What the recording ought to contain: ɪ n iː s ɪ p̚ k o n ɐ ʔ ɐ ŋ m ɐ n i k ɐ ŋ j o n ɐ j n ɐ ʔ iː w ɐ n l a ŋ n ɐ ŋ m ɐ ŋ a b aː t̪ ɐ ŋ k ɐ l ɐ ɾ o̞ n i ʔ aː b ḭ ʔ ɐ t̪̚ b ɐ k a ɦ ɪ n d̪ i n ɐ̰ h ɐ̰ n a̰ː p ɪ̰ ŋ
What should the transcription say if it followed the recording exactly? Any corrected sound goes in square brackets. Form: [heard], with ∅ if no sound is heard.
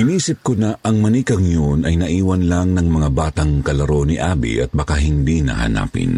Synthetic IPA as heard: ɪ n iː s ɪ p̚ k o n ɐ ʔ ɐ ŋ m ɐ n i k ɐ ŋ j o n ɐ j n ɐ ʔ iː w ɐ n l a ŋ n ɐ ŋ m ɐ ŋ a b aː t̪ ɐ ŋ k ɐ l ɐ ɾ o̞ n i ʔ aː b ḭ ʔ ɐ t̪̚ b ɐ k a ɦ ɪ n d̪ i n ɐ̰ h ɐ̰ n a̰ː p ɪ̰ [n]